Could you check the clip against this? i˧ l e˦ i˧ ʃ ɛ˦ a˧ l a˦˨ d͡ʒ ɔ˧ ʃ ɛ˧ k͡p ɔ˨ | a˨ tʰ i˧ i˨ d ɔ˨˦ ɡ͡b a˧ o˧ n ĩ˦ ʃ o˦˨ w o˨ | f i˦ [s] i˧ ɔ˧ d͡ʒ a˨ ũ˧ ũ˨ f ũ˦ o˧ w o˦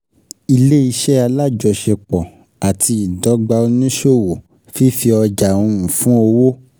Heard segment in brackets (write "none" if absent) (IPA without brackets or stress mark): f